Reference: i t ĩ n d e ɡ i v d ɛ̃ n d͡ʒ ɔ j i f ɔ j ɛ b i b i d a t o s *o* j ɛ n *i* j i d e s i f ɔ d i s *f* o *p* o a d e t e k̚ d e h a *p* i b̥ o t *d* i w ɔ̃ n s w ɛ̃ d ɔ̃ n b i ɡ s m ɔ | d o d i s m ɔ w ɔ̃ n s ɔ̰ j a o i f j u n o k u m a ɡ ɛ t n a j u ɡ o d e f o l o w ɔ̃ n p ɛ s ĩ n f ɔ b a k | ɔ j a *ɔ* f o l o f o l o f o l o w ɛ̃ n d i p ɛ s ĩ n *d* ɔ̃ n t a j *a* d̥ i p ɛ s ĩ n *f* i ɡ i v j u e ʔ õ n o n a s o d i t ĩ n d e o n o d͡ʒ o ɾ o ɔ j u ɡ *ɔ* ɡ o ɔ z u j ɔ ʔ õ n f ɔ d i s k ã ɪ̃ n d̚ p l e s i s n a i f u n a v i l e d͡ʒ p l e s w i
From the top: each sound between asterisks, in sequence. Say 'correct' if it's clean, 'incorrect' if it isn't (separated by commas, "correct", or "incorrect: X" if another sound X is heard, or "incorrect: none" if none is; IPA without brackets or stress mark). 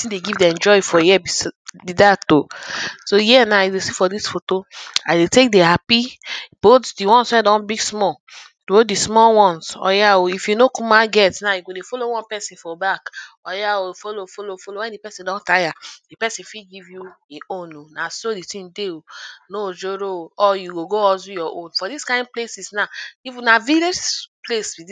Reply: correct, incorrect: a, correct, incorrect: t, correct, correct, incorrect: o, correct, correct, correct, incorrect: o